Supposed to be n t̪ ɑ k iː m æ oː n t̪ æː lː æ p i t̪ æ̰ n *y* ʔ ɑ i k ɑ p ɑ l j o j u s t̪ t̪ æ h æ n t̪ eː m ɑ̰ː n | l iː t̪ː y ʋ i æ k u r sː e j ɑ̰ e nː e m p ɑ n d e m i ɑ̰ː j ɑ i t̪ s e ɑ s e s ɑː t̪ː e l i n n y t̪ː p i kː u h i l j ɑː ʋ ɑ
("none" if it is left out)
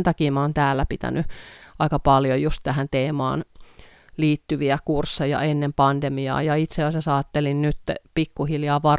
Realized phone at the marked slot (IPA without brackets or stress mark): y